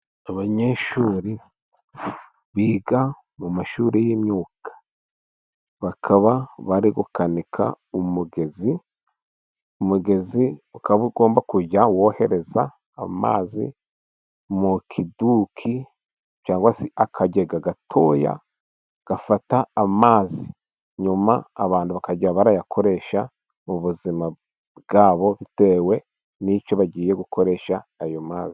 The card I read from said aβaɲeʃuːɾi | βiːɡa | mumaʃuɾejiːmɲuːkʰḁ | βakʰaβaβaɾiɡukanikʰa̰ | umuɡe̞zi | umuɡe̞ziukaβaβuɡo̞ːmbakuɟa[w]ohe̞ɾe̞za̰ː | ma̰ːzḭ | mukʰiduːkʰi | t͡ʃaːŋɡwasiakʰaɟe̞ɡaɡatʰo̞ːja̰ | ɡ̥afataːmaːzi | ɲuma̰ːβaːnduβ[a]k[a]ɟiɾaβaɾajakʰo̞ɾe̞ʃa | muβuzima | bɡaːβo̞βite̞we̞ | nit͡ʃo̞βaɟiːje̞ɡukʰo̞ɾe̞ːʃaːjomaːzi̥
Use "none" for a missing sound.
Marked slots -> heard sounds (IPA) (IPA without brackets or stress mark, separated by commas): w, a, a